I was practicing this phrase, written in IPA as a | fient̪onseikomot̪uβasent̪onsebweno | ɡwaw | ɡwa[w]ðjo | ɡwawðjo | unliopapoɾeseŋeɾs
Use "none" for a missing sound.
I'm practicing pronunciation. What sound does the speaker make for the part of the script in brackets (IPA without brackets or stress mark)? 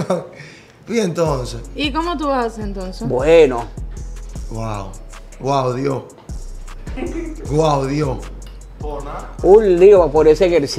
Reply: w